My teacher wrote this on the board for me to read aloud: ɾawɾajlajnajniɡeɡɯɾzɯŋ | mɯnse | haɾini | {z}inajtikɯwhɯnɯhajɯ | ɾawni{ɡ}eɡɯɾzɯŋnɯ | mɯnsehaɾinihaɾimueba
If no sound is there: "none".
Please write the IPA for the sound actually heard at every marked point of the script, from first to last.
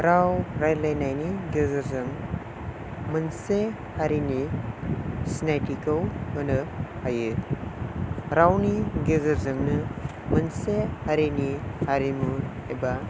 s, ɡ

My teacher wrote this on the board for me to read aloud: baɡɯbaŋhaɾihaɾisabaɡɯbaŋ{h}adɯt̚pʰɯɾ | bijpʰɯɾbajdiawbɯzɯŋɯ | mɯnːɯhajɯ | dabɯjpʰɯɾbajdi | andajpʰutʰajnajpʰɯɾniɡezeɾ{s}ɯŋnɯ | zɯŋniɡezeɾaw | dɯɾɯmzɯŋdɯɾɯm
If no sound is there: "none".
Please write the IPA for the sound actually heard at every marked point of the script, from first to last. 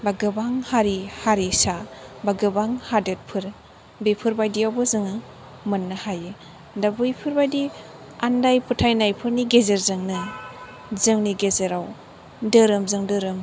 h, z

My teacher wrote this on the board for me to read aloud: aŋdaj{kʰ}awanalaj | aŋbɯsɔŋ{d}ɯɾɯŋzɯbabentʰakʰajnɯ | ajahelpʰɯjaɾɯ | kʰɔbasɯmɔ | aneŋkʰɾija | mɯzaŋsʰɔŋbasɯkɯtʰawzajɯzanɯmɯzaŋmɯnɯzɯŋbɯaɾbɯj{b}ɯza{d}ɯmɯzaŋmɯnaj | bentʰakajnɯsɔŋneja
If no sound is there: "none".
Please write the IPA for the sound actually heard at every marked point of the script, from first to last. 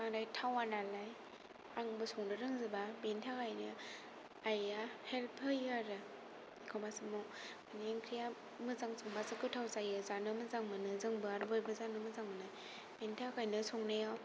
tʰ, d, b, n

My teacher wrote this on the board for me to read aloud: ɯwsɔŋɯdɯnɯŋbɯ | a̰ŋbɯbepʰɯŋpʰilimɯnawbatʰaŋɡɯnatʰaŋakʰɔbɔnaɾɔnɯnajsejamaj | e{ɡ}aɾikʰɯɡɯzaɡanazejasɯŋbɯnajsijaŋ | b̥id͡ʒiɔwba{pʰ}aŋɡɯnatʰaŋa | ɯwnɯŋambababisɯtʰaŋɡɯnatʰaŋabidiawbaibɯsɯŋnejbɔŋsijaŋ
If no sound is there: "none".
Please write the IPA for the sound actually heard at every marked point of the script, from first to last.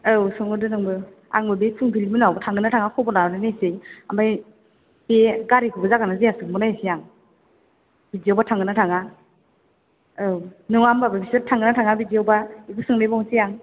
ɡ, tʰ

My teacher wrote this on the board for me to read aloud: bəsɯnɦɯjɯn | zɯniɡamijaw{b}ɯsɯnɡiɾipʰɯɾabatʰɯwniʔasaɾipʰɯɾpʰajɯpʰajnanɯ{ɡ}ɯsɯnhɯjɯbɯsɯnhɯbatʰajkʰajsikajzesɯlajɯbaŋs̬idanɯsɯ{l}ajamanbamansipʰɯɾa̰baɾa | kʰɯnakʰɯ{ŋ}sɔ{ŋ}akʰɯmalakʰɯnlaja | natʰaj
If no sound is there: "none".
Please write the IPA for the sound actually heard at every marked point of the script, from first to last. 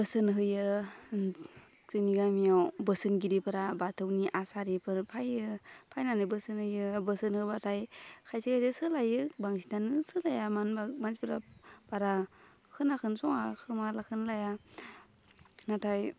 b, b, l, n, ŋ

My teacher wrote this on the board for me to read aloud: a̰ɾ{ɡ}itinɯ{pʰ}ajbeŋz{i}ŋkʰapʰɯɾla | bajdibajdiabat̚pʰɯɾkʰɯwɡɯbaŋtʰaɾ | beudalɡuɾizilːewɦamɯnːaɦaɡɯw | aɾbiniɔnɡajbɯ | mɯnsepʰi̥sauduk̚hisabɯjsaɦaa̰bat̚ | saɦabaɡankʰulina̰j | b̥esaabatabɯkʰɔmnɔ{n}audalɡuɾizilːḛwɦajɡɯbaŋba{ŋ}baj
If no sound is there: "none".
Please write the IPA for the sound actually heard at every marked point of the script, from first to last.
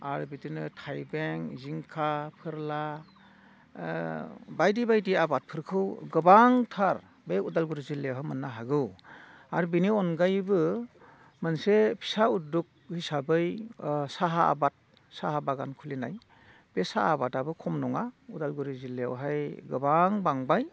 b, tʰ, i, ŋ, ŋ

